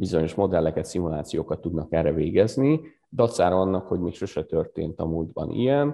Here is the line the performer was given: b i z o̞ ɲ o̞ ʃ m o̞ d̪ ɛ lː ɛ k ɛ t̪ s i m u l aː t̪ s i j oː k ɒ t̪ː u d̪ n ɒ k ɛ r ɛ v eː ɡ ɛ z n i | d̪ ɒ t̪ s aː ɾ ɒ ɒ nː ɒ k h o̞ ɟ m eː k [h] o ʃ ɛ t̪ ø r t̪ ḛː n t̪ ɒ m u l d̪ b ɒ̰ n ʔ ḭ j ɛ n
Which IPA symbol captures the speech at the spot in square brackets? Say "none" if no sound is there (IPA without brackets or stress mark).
ʃ